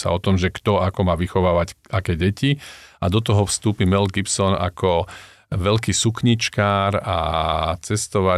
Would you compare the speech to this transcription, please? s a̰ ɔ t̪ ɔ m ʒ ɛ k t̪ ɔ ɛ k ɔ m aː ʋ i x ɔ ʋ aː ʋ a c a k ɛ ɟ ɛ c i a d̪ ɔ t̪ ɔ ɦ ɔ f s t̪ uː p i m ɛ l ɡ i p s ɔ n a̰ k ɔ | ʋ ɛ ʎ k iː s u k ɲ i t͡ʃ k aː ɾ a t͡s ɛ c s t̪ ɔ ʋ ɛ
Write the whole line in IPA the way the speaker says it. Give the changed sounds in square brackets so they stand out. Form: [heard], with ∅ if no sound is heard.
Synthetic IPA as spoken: s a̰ ɔ t̪ ɔ m ʒ ɛ k t̪ ɔ [a] k ɔ m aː ʋ i x ɔ ʋ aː ʋ a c a k ɛ ɟ ɛ c i a d̪ ɔ t̪ ɔ ɦ ɔ f s t̪ uː p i m ɛ l ɡ i p s ɔ n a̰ k ɔ | ʋ ɛ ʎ k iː s u k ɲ i t͡ʃ k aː ɾ a t͡s ɛ [∅] s t̪ ɔ ʋ [a]